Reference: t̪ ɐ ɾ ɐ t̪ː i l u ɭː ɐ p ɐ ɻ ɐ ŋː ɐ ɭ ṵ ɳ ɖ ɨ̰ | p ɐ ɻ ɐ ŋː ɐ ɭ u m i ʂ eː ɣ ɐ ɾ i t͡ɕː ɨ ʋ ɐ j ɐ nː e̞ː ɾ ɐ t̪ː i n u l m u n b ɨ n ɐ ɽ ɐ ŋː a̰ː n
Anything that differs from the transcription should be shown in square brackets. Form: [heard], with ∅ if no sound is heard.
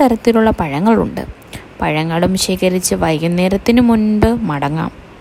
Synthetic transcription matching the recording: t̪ ɐ ɾ ɐ t̪ː i l u ɭː ɐ p ɐ ɻ ɐ ŋː ɐ ɭ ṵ ɳ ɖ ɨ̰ | p ɐ ɻ ɐ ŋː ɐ ɭ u m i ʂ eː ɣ ɐ ɾ i t͡ɕː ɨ ʋ ɐ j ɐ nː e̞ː ɾ ɐ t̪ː i n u [∅] m u n b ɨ [m] ɐ ɽ ɐ ŋː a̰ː [m]